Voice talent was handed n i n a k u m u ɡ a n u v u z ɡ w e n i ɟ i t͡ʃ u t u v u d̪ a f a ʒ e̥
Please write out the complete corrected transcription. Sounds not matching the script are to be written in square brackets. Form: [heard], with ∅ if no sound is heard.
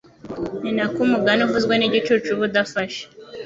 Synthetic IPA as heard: n i n a k u m u ɡ a n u v u z ɡ w e n i ɟ i t͡ʃ u [t͡ʃ] u [β] u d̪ a f a [ʃ] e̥